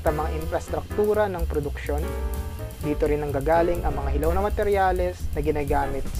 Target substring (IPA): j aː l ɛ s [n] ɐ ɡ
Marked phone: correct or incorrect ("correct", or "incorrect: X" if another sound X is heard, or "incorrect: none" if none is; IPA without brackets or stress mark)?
correct